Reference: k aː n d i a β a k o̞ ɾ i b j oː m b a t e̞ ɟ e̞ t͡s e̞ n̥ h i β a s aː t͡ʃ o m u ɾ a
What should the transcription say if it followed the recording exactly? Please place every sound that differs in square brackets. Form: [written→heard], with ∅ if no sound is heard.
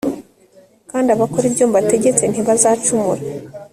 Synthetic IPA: k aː n d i a β a k o̞ ɾ i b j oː m b a t e̞ ɟ e̞ t͡s e̞ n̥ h i β a [s→z] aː t͡ʃ [o→u] m u ɾ a